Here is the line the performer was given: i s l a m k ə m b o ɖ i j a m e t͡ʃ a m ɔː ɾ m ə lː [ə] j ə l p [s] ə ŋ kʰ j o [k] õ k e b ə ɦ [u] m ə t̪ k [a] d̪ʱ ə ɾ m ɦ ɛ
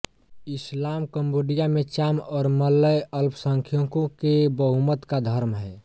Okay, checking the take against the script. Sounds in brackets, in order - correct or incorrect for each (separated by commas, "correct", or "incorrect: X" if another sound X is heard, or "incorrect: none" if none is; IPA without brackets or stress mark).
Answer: correct, correct, correct, correct, correct